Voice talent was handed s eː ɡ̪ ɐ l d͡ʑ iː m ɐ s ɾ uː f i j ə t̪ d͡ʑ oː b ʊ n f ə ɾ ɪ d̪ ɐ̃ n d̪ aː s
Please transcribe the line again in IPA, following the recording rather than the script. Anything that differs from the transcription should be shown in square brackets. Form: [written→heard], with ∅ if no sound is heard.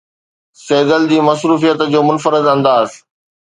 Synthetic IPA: s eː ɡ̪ [ɐ→ə] l d͡ʑ iː m ɐ s ɾ uː f i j ə t̪ d͡ʑ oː [b→m] ʊ n f ə ɾ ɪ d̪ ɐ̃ n d̪ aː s